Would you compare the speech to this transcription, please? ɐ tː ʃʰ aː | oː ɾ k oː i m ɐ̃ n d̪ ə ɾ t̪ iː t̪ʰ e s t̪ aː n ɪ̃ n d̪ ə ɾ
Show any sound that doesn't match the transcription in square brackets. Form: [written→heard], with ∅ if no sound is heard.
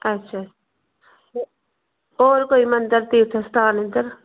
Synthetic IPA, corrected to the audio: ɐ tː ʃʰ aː | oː ɾ k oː i m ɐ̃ n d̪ ə ɾ t̪ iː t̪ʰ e s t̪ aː n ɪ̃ n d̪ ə ɾ